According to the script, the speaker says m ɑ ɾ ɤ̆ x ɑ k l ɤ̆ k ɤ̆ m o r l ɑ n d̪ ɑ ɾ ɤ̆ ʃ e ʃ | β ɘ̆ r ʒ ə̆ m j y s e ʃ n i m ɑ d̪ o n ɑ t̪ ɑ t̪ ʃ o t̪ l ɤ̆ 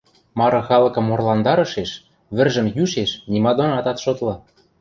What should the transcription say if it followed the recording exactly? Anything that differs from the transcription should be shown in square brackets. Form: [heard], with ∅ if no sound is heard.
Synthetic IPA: m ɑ ɾ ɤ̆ x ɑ [∅] l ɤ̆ k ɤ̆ m o r l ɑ n d̪ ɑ ɾ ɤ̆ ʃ e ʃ | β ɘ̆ r ʒ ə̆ m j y [ʃ] e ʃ n i m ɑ d̪ o n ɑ t̪ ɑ t̪ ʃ o t̪ l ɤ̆